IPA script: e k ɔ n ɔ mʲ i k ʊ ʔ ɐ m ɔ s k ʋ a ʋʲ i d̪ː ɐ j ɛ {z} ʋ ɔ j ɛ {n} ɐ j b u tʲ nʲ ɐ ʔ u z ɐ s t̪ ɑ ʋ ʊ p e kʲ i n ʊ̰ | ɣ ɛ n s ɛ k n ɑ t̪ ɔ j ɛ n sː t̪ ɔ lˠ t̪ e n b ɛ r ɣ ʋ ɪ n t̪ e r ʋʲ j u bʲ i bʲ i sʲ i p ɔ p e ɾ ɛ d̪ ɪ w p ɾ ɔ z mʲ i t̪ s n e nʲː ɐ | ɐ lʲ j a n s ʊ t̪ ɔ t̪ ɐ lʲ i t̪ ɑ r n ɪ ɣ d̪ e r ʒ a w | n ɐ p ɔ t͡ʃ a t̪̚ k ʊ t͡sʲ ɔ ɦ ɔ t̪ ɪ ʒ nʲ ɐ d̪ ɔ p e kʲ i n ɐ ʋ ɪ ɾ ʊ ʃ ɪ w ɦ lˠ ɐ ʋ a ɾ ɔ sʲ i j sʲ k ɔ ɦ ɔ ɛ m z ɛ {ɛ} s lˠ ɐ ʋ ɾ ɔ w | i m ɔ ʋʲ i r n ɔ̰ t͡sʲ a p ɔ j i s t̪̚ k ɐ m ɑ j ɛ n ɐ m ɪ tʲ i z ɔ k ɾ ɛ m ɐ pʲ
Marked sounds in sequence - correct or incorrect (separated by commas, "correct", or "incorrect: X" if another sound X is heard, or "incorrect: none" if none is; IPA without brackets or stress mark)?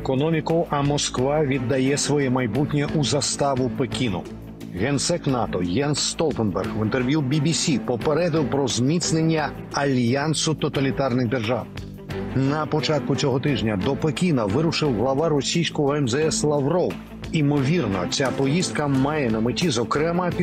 incorrect: s, incorrect: m, correct